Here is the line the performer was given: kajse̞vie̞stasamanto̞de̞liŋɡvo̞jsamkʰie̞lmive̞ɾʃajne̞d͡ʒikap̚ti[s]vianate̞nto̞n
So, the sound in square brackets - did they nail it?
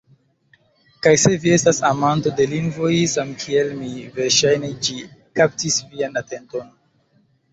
yes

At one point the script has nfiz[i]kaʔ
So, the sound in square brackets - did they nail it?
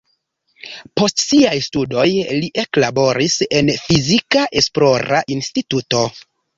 yes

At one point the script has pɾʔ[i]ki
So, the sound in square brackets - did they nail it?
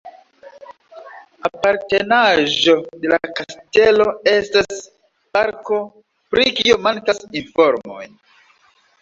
yes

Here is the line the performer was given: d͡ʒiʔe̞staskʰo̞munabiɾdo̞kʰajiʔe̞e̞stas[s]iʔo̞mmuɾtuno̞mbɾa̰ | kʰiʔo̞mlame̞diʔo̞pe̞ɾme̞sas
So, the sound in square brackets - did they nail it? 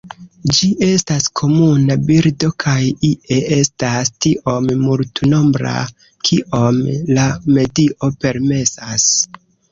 no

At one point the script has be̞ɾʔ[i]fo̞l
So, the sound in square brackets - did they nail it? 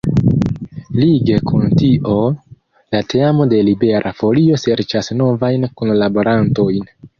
no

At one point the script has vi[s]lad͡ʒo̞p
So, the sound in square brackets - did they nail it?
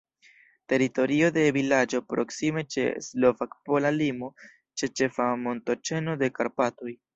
no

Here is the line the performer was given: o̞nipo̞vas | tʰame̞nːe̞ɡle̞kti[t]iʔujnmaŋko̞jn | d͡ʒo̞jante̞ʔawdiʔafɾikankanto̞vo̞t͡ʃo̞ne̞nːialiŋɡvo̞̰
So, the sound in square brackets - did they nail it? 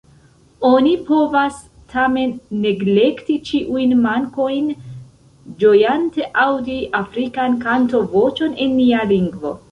no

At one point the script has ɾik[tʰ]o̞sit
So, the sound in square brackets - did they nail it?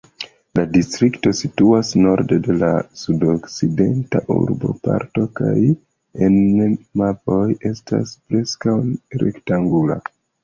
no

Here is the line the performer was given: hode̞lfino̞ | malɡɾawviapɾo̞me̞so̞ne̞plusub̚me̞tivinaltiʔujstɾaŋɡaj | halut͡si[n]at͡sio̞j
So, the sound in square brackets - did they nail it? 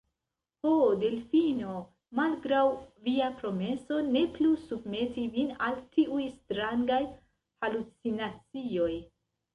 yes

